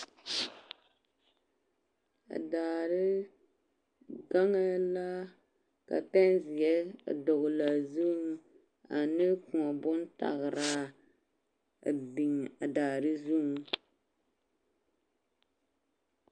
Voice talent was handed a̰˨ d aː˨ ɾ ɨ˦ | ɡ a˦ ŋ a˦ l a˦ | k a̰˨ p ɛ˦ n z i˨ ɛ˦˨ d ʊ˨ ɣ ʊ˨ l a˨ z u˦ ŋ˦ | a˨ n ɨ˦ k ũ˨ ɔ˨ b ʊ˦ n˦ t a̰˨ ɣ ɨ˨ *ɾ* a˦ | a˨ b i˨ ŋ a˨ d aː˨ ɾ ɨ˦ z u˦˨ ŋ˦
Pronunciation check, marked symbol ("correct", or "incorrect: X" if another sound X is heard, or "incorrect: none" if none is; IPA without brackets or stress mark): correct